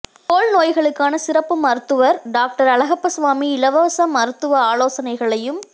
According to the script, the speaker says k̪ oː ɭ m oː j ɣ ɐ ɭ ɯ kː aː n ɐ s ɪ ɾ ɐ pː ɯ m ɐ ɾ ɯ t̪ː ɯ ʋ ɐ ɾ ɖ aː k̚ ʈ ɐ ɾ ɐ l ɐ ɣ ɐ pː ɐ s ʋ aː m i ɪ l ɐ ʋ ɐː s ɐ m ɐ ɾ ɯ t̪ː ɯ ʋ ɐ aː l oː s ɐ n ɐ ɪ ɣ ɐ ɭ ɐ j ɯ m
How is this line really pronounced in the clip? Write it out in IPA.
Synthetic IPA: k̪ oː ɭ n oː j ɣ ɐ ɭ ɯ kː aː n ɐ s ɪ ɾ ɐ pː ɯ m ɐ ɾ ɯ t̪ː ɯ ʋ ɐ ɾ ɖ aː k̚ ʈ ɐ ɾ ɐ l ɐ ɣ ɐ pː ɐ s ʋ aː m i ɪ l ɐ ʋ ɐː s ɐ m ɐ ɾ ɯ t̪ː ɯ ʋ ɐ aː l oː s ɐ n ɐ ɪ ɣ ɐ ɭ ɐ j ɯ m